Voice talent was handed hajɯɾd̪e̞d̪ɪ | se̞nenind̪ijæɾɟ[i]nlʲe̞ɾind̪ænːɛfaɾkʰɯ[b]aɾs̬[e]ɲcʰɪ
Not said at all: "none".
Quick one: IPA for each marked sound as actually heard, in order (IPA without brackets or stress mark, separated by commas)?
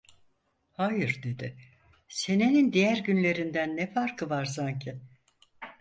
y, v, a